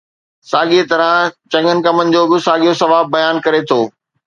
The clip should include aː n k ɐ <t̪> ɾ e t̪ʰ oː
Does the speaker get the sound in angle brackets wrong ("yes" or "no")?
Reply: yes